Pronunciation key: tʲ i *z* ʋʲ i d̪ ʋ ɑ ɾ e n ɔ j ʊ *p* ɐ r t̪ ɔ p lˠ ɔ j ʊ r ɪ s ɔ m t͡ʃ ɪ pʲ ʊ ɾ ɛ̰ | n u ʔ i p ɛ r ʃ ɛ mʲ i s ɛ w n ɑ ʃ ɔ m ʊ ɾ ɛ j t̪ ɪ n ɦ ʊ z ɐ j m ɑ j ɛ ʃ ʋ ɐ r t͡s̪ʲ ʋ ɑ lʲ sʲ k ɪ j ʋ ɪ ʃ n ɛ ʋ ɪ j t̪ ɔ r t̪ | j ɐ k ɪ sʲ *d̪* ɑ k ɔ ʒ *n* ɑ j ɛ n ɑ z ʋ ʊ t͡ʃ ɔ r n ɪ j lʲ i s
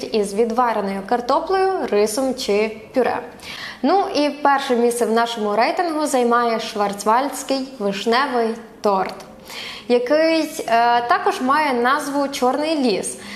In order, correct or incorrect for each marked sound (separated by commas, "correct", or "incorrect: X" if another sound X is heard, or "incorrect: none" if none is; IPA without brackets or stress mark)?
correct, incorrect: k, incorrect: t̪, incorrect: m